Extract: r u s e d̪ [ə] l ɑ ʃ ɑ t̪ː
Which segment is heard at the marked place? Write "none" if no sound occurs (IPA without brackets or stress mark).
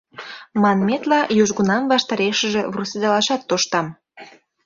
ɑ